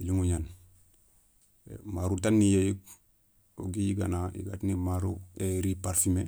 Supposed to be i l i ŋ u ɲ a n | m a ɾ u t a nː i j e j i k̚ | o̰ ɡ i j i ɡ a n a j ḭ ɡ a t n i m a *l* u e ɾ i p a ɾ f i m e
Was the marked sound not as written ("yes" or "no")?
yes